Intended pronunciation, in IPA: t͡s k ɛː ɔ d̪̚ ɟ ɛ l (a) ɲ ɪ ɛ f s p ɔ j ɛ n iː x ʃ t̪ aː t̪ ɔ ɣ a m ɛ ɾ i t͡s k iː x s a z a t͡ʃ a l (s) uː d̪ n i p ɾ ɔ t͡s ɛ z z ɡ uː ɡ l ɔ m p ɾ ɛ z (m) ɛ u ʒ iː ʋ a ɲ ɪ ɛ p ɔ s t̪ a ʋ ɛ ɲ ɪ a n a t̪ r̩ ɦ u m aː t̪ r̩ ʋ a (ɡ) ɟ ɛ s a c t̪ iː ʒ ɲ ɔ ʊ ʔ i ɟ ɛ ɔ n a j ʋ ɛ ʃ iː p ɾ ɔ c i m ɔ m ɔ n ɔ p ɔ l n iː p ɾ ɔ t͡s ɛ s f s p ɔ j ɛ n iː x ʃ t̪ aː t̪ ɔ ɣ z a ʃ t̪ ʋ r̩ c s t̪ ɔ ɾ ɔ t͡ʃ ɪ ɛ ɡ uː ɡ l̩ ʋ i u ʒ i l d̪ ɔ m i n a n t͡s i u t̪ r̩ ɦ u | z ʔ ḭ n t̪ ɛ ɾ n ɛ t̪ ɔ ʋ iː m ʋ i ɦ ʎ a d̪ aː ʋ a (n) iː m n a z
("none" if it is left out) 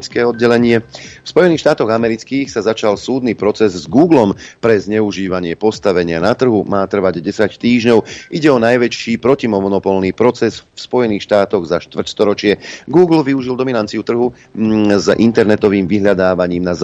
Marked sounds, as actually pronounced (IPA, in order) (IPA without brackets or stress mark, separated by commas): ɛ, s, ɲ, ɟ, ɲ